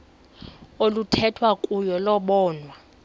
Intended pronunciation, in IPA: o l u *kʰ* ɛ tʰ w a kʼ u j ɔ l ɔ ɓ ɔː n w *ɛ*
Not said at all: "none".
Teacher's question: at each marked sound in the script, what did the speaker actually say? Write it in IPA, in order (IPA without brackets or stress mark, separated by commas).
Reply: tʰ, a